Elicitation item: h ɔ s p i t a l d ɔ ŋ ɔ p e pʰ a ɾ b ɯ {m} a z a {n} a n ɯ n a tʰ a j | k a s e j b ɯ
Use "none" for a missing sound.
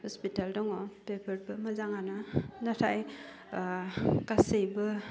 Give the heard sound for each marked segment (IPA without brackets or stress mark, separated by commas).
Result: m, ŋ